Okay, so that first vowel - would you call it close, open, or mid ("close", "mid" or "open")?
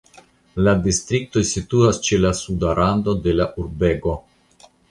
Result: open